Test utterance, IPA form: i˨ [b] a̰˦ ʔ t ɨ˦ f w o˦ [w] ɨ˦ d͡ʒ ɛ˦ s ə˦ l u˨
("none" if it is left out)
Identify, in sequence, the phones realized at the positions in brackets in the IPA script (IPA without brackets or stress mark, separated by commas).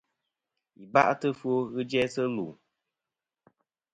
b, ɣ